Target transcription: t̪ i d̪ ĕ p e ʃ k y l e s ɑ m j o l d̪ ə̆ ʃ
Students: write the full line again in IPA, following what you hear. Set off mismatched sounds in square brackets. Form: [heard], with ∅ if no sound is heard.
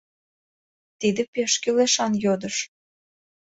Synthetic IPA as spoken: t̪ i d̪ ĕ p e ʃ k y l e [ʃ] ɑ [n] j o [∅] d̪ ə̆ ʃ